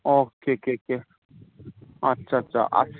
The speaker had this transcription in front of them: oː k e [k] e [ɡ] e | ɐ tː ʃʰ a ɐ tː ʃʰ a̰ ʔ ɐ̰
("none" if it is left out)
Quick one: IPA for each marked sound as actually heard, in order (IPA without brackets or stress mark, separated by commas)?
k, k